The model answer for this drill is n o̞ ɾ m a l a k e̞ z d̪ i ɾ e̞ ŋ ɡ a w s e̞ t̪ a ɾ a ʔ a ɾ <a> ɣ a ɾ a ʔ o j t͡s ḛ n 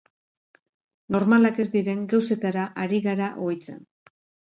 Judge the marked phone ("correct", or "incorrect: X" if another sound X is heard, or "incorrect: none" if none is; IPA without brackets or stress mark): incorrect: i